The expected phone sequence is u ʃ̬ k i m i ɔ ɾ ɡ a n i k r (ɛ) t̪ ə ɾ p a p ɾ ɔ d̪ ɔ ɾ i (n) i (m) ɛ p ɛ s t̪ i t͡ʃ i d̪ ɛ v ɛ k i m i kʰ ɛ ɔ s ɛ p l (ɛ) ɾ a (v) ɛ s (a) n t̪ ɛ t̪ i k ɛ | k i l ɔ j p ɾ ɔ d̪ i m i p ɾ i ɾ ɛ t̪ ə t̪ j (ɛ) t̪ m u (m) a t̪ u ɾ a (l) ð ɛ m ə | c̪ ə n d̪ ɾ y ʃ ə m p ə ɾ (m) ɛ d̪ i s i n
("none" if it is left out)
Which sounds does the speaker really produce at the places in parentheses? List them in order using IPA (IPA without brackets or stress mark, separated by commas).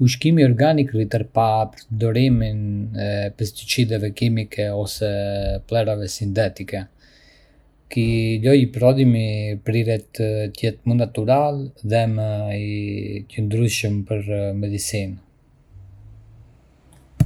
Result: i, m, n, ɛ, v, i, ɛ, n, l, m